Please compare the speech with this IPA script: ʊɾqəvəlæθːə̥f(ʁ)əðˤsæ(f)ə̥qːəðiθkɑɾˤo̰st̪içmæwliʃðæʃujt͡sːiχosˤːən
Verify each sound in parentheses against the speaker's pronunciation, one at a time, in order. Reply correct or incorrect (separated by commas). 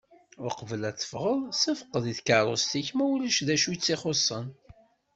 correct, correct